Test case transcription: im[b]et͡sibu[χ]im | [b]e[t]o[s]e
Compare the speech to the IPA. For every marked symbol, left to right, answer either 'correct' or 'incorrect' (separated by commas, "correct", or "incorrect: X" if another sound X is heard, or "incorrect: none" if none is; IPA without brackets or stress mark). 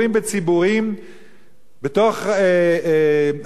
correct, incorrect: ʁ, correct, correct, incorrect: χ